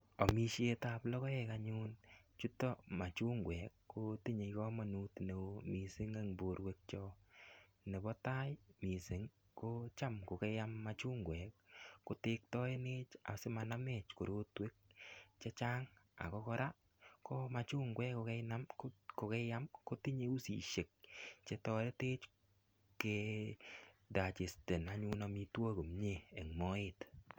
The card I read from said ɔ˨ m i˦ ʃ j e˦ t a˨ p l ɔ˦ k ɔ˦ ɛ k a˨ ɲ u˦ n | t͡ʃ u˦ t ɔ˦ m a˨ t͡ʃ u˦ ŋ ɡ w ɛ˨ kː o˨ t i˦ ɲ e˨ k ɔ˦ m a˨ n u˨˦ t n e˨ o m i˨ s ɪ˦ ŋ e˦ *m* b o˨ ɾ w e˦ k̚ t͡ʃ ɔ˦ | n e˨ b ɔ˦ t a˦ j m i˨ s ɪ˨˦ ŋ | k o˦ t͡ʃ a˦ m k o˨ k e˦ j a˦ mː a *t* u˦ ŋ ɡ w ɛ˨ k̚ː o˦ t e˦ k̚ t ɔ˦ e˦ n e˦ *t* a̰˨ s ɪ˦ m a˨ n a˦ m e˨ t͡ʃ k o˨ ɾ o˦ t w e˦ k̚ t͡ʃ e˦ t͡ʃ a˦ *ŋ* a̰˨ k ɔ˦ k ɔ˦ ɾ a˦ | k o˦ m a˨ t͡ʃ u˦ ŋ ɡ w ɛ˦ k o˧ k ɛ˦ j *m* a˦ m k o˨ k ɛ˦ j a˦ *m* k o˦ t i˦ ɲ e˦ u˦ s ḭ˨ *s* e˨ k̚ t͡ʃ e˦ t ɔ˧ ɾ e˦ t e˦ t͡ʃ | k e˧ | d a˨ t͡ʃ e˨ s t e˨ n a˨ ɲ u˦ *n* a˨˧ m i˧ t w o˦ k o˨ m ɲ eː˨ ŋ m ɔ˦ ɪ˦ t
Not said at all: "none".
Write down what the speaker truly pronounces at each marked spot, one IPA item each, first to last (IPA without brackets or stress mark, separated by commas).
ŋ, t͡ʃ, t͡ʃ, ŋ, n, m, ʃ, n